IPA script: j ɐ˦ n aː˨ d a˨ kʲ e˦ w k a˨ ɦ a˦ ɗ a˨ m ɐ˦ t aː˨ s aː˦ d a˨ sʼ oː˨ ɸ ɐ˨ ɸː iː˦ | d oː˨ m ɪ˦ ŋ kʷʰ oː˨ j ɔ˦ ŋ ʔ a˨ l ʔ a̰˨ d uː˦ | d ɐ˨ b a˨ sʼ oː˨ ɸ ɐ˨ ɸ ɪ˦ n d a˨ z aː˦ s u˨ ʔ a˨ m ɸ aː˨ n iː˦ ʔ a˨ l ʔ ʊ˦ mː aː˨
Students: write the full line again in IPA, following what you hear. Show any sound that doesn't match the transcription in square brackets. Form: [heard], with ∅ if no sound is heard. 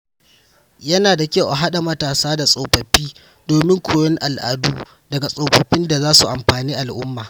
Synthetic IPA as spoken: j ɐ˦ n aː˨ d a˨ kʲ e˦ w [ʔ] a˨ ɦ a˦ ɗ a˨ m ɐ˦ t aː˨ s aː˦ d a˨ sʼ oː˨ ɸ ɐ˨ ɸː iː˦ | d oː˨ m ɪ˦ ŋ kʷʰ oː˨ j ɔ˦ ŋ ʔ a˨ l ʔ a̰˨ d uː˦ | d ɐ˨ [ɡ] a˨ sʼ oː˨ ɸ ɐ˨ ɸ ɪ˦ n d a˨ z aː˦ s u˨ ʔ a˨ m ɸ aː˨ n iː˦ ʔ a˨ l ʔ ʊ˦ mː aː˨